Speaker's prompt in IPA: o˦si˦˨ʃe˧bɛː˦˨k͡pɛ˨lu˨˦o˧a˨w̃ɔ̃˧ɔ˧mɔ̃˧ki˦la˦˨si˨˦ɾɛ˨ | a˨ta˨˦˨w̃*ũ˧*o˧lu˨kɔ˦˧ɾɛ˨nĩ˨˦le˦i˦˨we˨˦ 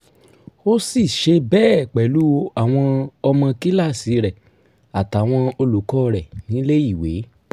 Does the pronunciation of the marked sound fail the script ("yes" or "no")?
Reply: yes